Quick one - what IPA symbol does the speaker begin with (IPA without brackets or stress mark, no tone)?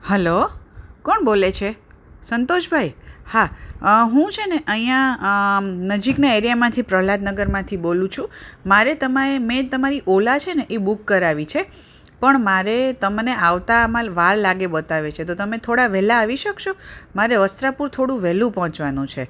h